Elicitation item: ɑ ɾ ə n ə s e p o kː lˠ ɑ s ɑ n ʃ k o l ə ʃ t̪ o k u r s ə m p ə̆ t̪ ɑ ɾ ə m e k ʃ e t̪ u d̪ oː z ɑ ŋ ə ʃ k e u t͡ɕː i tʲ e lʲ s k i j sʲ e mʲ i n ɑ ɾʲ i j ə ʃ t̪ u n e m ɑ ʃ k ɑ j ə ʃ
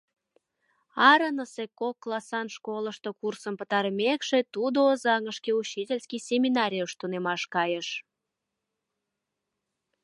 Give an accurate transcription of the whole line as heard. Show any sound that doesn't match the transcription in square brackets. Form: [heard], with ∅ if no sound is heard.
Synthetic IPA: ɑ ɾ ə n ə s e [k] o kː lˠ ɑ s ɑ n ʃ k o l ə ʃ t̪ o k u r s ə m p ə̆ t̪ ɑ ɾ ə m e k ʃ e t̪ u d̪ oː z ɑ ŋ ə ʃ k e u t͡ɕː i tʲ e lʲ s k i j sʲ e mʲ i n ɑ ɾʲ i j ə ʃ t̪ u n e m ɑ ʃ k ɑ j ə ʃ